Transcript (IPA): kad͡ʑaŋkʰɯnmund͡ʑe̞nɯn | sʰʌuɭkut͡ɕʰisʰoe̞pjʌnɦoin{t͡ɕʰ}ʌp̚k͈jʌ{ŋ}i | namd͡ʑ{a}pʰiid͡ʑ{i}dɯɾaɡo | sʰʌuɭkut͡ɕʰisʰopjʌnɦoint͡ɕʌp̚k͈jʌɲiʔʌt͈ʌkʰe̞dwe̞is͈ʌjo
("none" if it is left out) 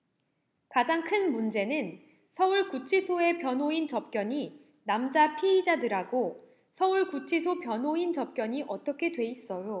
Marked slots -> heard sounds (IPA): t͡ɕ, ɲ, a, a

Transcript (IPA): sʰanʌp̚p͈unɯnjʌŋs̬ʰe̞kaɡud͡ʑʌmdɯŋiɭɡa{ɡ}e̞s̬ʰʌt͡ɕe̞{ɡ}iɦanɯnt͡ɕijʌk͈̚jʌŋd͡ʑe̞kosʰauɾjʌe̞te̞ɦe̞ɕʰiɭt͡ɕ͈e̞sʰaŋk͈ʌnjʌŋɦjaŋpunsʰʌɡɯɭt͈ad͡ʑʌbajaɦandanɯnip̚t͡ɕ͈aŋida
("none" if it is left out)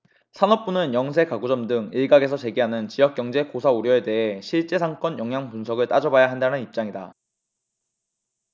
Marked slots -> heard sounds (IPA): ɡ, ɡ

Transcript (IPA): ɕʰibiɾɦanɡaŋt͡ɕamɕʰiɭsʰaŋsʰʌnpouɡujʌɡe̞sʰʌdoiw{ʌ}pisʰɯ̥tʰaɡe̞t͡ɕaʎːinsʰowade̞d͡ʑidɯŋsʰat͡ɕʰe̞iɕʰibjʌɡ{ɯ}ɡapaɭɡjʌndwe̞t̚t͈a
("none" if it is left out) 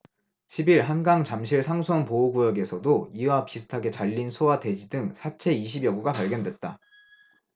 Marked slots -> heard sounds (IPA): a, u

